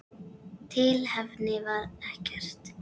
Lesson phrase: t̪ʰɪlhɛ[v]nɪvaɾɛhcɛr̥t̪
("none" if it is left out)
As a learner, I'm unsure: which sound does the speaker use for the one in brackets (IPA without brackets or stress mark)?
v